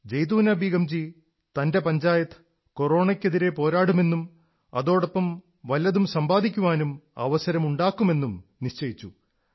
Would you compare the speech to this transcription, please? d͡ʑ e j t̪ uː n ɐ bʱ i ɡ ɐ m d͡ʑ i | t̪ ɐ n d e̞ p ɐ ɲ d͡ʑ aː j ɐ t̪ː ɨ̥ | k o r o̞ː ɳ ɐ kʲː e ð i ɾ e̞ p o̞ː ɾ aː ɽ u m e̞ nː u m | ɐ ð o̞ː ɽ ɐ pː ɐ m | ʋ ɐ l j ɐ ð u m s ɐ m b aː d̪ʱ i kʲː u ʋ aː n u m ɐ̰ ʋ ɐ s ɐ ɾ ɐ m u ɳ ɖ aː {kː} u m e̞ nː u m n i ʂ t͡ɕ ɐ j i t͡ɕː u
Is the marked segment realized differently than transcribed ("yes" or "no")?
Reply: no